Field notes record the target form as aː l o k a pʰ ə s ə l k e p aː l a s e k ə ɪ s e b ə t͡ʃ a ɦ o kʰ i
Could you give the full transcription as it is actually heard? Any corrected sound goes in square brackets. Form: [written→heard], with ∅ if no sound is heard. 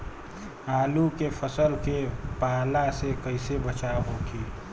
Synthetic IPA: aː l [o→u] k [a→e] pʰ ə s ə l k e p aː l a s e k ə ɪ s e b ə t͡ʃ a ɦ o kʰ i